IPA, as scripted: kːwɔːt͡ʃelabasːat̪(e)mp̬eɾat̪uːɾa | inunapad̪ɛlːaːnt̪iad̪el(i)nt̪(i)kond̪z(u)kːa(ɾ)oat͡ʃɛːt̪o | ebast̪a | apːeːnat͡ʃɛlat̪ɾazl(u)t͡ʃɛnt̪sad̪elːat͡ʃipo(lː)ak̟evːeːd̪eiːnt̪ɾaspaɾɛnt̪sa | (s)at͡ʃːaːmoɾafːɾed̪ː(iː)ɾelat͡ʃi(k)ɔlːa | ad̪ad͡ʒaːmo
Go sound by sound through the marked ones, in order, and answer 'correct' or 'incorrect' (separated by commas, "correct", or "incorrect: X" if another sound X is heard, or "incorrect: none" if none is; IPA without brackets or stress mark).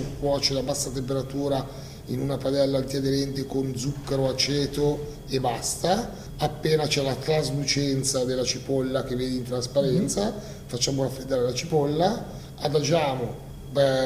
correct, incorrect: ɛ, incorrect: e, correct, correct, correct, correct, incorrect: f, incorrect: aː, incorrect: p